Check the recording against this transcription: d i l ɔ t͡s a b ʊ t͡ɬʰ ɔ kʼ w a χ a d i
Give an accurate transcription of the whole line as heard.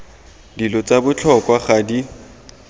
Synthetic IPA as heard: d i l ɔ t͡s a b ʊ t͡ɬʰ ɔ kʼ w a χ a d i